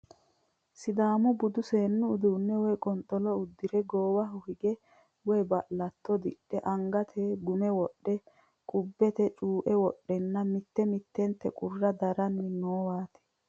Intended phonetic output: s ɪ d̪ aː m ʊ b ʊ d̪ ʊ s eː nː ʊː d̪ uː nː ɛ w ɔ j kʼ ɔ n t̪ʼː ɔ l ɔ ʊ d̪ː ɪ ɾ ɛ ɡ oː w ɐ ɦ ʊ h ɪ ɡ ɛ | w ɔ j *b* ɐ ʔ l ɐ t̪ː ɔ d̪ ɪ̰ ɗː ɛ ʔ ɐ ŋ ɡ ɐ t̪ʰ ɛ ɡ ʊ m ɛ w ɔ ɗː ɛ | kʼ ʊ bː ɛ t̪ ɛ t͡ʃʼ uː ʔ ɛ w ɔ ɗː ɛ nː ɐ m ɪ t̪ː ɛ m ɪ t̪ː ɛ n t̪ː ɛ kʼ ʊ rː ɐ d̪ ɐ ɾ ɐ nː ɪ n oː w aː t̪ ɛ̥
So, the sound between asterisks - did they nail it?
yes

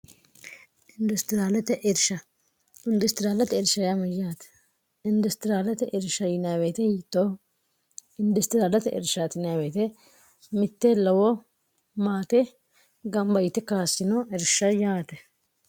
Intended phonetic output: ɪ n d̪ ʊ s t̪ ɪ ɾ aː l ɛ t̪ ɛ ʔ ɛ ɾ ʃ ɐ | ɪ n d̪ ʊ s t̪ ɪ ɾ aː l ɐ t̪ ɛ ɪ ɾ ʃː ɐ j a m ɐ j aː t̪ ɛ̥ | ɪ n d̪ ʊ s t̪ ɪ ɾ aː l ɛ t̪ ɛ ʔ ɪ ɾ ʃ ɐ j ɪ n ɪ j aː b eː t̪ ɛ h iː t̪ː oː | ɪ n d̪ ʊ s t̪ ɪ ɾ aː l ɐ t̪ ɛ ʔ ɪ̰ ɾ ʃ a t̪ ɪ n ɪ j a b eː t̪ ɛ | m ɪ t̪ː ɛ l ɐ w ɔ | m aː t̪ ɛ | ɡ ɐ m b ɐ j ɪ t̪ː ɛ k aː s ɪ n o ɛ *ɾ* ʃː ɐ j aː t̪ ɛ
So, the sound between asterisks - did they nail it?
yes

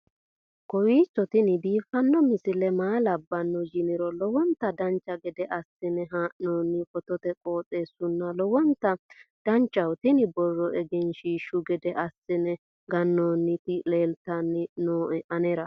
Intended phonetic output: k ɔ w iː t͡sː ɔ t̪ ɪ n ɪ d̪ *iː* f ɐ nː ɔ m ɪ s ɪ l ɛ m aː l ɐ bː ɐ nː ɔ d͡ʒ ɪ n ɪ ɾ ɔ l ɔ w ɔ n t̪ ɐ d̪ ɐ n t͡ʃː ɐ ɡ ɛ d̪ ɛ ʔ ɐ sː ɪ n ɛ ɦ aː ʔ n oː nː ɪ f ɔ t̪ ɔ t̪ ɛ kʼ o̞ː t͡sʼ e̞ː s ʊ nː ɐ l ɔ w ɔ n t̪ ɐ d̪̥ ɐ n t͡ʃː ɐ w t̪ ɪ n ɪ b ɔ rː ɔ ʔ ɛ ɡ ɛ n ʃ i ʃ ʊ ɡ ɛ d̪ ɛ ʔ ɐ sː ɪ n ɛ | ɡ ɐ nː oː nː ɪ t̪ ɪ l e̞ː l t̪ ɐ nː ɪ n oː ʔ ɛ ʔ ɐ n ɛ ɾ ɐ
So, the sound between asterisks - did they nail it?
yes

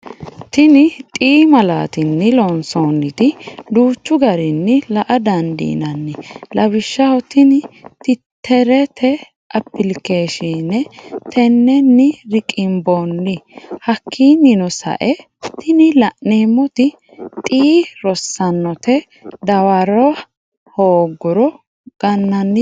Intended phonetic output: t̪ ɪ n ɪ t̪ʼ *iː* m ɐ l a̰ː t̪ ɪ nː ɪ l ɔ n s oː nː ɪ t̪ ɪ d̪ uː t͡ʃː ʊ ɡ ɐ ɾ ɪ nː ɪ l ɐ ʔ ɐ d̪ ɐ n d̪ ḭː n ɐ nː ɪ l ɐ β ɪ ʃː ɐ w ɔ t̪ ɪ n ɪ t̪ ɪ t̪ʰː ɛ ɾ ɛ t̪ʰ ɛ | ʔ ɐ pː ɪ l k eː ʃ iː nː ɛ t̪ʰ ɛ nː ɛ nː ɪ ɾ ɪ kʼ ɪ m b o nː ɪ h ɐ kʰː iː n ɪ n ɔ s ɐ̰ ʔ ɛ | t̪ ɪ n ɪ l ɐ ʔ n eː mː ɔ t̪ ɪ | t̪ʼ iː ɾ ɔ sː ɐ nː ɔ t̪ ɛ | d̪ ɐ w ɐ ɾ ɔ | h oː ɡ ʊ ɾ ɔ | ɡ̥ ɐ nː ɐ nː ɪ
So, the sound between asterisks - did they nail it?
yes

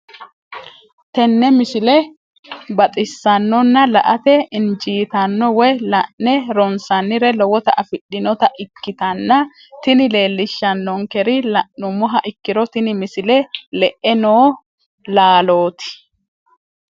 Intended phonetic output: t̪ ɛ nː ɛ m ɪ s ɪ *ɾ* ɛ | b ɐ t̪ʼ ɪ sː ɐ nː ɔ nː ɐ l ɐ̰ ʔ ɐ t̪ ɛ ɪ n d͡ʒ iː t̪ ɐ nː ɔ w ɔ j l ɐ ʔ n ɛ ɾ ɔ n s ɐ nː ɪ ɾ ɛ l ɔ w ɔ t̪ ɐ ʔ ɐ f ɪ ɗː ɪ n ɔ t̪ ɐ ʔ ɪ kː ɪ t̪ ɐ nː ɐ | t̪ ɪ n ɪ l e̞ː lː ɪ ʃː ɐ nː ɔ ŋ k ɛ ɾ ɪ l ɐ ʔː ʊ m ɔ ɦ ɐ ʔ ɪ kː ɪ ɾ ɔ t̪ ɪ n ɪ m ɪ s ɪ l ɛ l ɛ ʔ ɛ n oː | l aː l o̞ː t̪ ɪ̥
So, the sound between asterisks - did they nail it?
no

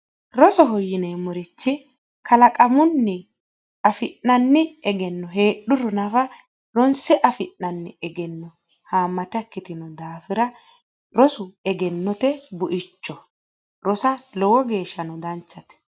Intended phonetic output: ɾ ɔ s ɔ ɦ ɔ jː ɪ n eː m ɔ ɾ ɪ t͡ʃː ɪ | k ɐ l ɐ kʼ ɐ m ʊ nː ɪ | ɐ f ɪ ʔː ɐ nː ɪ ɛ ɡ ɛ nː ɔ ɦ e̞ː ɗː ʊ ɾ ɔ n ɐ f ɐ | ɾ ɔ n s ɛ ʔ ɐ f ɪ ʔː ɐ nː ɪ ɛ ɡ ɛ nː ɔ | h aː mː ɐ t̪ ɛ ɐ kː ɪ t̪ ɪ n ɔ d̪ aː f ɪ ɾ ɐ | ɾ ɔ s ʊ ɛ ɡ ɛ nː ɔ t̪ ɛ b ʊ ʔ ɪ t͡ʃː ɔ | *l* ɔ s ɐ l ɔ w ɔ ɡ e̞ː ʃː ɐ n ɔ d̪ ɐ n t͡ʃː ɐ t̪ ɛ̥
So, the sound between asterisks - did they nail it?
no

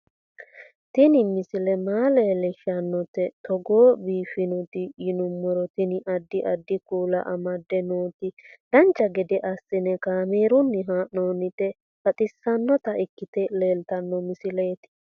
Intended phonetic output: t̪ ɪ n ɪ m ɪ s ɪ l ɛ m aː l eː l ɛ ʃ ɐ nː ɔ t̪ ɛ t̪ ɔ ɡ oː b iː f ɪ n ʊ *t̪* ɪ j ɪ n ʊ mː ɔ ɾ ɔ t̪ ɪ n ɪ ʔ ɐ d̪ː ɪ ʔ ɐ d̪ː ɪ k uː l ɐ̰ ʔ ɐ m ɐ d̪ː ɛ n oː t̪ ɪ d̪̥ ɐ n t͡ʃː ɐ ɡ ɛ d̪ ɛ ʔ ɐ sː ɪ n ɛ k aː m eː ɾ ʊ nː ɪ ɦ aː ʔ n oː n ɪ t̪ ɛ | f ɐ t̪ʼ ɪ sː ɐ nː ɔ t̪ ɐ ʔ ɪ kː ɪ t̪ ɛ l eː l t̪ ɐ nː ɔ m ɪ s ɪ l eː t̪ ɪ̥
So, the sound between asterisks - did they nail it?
yes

